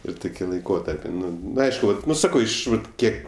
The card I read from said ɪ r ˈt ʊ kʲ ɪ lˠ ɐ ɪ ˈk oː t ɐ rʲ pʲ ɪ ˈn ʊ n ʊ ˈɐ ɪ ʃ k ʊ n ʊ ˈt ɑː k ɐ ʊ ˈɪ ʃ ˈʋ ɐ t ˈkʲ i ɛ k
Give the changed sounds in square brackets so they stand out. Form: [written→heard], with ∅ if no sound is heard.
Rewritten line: ɪ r ˈt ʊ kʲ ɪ lˠ ɐ ɪ ˈk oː t ɐ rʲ pʲ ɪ ˈn ʊ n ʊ ˈɐ ɪ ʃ k ʊ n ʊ [ˈt→ˈs] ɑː k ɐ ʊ ˈɪ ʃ ˈʋ ɐ t ˈkʲ i ɛ k